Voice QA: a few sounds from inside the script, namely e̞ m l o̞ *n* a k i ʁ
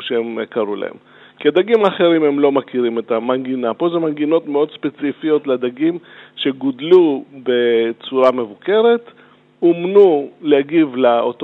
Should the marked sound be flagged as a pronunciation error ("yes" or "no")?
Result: yes